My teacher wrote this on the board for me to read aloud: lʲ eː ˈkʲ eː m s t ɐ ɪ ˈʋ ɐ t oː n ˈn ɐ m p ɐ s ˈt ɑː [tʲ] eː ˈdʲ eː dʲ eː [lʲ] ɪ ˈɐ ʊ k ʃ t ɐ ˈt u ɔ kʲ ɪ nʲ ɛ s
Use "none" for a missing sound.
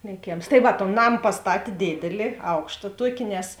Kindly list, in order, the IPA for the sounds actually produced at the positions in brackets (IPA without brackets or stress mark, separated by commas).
tʲ, lʲ